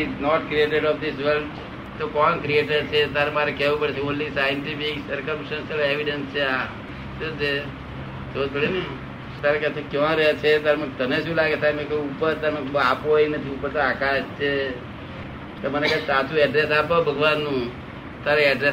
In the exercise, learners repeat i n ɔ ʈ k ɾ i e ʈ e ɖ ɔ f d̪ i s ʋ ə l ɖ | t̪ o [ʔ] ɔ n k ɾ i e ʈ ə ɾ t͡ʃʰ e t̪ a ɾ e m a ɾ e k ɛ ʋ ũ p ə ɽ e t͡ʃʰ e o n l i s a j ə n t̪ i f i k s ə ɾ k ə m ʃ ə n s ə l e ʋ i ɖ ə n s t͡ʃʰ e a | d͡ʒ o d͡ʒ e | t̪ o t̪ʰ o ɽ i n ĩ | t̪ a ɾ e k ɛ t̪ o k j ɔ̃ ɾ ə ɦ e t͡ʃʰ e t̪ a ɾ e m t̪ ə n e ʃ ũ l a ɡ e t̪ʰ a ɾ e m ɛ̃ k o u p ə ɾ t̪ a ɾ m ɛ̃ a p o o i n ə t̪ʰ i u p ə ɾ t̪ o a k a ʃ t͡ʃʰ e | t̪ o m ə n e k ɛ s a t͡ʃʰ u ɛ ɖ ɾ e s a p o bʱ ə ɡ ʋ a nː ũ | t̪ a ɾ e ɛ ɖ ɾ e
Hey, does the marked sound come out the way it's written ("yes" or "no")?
no